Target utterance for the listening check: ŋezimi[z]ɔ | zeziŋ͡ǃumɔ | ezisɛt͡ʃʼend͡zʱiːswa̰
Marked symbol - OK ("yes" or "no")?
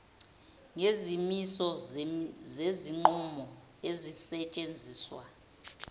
no